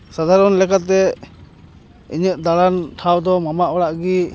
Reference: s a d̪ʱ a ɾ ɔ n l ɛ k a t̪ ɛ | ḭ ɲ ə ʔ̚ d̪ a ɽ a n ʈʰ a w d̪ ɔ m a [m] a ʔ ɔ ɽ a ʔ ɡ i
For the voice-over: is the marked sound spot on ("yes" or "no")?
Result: yes